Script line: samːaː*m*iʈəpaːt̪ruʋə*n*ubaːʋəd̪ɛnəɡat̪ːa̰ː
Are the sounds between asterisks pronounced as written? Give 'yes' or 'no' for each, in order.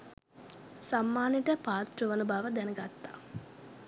no, yes

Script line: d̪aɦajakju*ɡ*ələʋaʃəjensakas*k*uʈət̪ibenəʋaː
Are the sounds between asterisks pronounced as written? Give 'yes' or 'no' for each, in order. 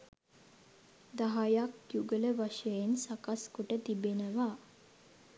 yes, yes

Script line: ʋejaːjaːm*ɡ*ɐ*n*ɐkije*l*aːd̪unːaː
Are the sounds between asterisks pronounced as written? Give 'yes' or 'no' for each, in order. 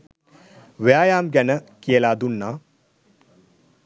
yes, yes, yes

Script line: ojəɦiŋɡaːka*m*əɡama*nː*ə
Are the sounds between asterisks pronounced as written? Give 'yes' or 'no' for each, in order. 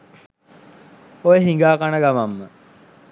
no, no

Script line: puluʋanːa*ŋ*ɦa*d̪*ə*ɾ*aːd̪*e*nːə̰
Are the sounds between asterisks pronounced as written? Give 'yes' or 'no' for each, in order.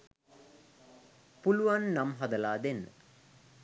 no, yes, no, yes

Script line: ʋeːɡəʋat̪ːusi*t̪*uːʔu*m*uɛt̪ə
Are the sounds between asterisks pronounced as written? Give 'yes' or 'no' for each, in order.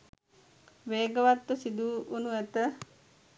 no, no

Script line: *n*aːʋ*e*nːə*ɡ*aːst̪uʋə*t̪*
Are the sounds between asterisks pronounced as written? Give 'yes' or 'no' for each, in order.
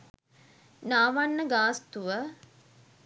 yes, no, yes, no

